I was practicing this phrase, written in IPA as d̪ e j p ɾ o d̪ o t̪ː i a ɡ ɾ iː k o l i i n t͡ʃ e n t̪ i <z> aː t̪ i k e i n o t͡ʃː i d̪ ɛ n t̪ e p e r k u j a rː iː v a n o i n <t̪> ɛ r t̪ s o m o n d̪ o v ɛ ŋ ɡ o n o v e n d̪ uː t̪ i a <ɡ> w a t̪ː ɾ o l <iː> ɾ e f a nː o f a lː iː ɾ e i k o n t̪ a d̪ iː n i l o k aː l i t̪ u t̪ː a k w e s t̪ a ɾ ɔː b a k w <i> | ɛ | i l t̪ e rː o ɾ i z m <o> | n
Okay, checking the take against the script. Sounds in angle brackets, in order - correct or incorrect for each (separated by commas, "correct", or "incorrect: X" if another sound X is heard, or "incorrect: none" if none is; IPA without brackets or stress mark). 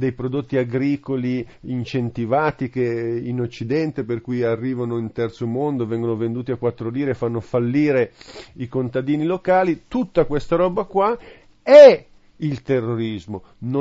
incorrect: v, correct, incorrect: k, correct, incorrect: a, correct